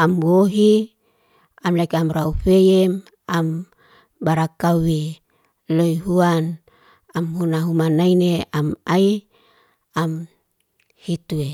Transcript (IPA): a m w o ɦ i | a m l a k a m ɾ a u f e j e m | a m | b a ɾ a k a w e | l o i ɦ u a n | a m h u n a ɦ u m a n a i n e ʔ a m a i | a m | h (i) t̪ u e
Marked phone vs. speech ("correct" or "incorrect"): correct